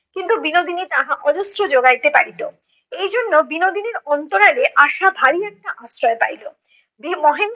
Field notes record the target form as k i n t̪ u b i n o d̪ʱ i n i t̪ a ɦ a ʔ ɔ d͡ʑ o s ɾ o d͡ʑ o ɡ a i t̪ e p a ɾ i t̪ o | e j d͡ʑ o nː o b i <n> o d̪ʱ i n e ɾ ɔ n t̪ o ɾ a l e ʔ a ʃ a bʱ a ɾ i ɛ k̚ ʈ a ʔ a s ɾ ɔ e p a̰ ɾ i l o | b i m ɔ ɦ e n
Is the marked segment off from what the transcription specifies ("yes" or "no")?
no